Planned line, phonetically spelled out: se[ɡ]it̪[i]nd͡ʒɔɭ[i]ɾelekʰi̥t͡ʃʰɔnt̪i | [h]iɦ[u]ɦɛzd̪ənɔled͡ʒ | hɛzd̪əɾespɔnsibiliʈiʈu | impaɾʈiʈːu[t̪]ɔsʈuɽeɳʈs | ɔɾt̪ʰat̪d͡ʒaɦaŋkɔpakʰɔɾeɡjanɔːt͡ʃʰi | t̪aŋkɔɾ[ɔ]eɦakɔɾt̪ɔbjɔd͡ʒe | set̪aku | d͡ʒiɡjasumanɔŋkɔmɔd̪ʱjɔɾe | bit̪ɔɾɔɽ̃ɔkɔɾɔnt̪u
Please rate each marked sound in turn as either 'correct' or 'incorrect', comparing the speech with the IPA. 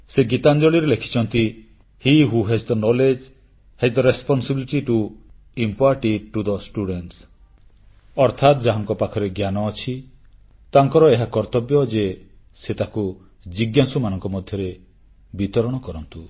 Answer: correct, incorrect, correct, correct, correct, incorrect, correct

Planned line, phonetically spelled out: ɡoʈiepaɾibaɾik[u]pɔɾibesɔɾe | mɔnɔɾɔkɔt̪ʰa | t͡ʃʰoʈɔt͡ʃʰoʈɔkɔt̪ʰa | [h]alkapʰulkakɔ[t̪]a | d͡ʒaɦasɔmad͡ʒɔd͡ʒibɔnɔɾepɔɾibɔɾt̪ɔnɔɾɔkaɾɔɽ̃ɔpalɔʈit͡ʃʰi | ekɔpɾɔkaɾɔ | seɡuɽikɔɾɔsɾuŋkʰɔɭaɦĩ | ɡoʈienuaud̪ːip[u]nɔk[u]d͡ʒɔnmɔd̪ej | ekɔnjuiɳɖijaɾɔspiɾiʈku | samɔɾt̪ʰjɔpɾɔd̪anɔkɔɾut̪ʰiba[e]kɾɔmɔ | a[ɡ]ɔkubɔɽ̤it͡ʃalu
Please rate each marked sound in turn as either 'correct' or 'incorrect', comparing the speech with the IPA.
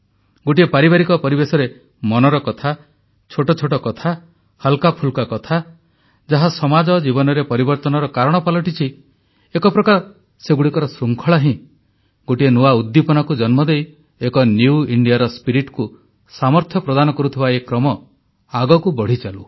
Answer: incorrect, correct, incorrect, incorrect, correct, correct, correct

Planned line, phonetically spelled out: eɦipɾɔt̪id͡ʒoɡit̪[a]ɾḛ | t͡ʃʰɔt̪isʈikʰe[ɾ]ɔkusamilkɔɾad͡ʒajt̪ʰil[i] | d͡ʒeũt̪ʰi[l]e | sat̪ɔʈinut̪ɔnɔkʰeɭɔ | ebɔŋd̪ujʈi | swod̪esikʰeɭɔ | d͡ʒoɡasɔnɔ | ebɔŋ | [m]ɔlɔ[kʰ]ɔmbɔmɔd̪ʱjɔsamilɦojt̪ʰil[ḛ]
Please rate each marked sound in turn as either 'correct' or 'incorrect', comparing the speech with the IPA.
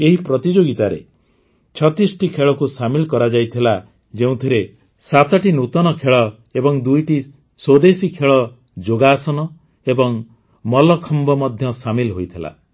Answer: correct, incorrect, incorrect, incorrect, correct, correct, incorrect

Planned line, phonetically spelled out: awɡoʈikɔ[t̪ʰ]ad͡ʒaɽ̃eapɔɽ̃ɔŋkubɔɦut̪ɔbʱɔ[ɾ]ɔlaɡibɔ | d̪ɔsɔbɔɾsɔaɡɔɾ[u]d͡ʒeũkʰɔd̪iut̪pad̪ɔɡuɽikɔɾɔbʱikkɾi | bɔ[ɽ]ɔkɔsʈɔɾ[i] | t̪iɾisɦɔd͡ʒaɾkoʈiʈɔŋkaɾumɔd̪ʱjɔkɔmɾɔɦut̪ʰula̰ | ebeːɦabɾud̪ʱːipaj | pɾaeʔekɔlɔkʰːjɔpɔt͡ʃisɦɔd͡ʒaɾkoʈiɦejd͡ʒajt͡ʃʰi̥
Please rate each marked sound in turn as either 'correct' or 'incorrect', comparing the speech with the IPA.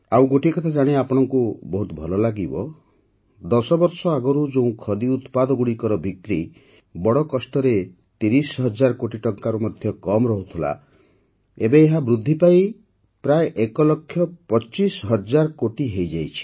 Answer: correct, incorrect, correct, correct, incorrect

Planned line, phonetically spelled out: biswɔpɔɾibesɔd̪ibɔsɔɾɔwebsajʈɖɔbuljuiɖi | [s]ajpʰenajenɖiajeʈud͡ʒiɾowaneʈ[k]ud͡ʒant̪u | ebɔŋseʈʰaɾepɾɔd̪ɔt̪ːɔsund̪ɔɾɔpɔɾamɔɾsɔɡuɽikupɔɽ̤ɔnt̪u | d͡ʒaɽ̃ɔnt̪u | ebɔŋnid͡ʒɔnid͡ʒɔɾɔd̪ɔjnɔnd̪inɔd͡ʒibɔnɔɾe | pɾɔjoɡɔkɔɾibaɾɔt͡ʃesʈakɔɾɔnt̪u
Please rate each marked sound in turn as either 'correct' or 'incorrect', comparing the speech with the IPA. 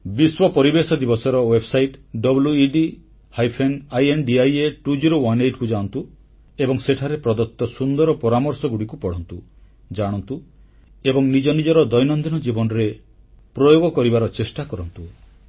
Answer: incorrect, correct

